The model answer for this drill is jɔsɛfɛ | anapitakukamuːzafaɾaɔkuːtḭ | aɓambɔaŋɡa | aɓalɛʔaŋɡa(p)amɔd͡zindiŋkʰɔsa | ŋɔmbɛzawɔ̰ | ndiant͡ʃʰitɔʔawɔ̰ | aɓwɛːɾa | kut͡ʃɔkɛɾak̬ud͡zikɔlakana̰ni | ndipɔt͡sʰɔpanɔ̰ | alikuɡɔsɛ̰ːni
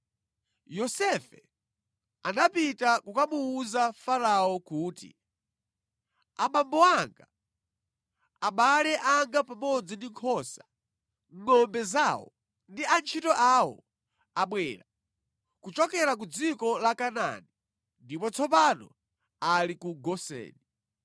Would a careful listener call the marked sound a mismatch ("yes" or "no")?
no